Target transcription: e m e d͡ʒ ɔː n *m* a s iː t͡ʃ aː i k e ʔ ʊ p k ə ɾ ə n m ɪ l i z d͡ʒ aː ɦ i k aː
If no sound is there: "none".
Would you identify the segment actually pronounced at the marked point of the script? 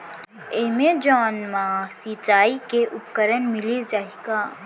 m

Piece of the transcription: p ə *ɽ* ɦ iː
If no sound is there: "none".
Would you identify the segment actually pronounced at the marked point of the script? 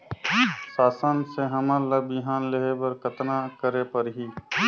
ɾ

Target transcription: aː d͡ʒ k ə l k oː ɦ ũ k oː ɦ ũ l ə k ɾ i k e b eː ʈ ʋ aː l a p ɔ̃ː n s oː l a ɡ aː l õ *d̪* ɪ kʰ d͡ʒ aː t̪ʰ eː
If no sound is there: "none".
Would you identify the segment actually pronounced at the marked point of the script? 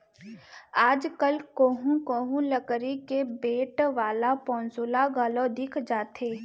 d̪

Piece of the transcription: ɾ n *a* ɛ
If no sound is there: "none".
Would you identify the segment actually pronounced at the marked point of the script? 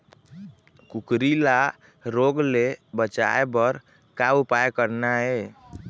a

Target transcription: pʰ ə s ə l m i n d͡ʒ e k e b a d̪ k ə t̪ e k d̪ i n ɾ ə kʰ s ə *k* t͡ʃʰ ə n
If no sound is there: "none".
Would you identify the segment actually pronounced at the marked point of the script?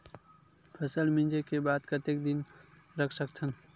k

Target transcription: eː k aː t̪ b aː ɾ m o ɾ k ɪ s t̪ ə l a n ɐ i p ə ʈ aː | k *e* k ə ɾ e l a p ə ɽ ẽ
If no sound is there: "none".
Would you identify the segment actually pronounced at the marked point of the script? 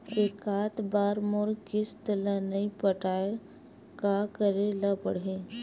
a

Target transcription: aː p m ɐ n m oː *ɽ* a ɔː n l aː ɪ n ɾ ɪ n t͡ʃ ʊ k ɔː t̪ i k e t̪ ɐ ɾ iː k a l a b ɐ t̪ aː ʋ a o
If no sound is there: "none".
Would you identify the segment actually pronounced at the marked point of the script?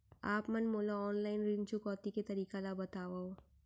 l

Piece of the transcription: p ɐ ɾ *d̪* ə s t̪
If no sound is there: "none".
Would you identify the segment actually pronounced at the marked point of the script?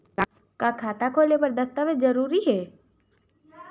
d̪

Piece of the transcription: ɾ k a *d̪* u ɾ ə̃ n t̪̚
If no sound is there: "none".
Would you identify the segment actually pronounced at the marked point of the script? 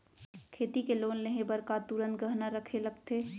t̪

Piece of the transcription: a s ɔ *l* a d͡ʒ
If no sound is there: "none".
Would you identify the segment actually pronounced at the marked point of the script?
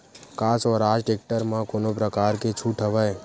ɾ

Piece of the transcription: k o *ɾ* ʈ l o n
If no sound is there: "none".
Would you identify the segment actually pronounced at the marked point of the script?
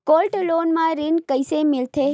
l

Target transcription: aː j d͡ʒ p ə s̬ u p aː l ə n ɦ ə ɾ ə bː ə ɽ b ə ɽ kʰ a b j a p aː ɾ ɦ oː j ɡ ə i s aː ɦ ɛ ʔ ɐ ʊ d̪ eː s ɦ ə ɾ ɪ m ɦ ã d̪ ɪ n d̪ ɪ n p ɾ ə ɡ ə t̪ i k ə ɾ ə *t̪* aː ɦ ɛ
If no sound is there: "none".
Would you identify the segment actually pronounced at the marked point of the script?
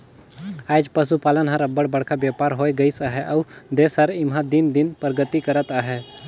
t̪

